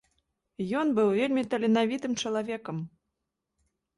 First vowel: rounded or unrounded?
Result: rounded